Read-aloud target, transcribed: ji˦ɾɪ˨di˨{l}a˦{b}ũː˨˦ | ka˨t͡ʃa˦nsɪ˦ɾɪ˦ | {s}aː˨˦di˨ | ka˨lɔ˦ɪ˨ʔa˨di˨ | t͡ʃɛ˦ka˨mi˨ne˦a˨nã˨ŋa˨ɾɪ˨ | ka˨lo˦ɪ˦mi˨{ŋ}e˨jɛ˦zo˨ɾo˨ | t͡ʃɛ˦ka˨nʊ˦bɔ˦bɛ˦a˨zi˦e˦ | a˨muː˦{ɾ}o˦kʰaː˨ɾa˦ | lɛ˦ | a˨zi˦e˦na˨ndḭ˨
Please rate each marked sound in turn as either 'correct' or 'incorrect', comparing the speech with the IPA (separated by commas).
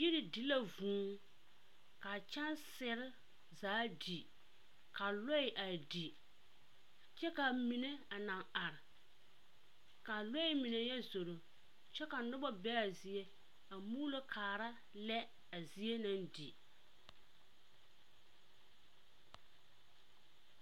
correct, incorrect, incorrect, incorrect, incorrect